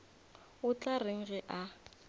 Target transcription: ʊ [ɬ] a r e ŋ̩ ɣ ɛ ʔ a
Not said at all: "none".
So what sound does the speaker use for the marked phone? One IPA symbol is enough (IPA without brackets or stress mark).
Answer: t͡ɬ